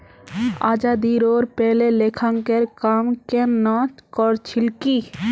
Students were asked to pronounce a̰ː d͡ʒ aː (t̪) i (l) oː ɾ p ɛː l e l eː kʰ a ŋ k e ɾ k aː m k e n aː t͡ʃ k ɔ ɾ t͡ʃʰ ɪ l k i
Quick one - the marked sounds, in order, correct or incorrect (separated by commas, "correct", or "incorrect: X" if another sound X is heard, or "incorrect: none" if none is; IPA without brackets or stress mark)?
incorrect: d̪, incorrect: ɾ